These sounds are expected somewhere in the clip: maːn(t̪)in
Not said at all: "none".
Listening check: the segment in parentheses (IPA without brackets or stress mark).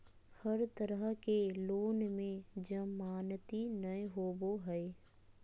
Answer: t̪